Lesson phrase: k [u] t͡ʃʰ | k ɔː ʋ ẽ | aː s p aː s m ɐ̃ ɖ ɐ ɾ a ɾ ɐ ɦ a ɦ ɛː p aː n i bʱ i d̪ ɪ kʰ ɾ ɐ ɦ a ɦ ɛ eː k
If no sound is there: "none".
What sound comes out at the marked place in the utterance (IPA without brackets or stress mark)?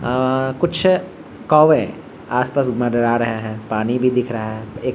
ʊ